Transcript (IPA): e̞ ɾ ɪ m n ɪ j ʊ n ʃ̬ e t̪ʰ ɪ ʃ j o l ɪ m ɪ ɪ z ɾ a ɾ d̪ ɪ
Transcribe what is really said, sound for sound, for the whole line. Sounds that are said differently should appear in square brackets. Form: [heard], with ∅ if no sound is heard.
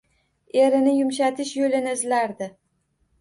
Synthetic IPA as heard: e̞ ɾ ɪ [∅] n ɪ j ʊ [m] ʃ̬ [a] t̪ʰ ɪ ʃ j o l ɪ [n] ɪ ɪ z [l] a ɾ d̪ ɪ